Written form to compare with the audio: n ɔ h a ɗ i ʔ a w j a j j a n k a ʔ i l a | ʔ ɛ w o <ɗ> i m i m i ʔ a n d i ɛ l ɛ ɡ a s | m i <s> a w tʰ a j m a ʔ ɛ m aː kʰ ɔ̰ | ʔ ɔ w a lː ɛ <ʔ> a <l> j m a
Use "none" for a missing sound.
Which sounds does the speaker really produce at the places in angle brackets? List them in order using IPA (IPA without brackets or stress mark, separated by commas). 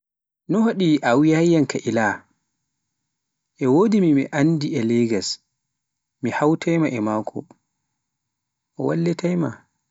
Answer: d, h, t, none